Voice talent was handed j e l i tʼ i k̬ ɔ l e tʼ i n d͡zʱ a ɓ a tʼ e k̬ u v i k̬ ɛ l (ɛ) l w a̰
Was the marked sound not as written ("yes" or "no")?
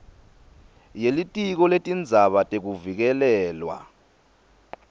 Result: yes